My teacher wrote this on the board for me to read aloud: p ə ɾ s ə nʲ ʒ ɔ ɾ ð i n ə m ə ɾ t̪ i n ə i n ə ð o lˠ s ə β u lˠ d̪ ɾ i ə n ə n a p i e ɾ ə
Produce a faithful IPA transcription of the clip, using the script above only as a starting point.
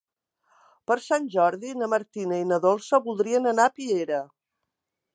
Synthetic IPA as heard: p ə ɾ s a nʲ ʒ ɔ ɾ ð i n ə m ə ɾ t̪ i n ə i n ə ð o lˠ s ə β u lˠ d̪ ɾ i ə n ə n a p i e ɾ ə